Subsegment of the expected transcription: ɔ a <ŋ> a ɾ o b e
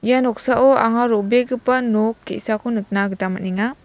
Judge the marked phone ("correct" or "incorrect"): correct